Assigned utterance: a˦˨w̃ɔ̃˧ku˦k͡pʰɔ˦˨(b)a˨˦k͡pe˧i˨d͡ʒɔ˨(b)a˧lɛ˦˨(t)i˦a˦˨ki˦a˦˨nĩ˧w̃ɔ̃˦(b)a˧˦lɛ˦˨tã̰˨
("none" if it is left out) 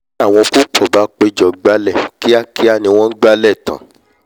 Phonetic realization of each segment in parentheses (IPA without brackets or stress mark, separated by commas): b, ɡ͡b, k, ɡ͡b